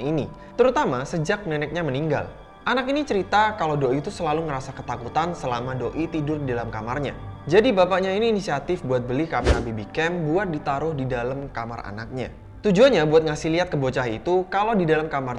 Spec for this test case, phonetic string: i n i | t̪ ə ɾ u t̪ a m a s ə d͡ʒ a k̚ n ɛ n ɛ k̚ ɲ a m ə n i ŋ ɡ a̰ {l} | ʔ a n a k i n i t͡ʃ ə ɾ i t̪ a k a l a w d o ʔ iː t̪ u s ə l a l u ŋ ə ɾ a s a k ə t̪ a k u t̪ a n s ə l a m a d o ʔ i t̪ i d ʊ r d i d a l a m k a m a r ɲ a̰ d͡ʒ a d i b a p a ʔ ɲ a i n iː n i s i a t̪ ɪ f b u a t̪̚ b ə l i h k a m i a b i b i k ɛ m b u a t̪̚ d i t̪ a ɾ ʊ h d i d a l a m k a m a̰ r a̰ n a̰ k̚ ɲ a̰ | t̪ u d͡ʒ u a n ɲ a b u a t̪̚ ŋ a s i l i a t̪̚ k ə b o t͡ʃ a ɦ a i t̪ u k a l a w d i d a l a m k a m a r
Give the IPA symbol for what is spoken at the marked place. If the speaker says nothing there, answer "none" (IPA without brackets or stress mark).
l